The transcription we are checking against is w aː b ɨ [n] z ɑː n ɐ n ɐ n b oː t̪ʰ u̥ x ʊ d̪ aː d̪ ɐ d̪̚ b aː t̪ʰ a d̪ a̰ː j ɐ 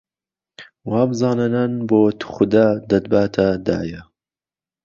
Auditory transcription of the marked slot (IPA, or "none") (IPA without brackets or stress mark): none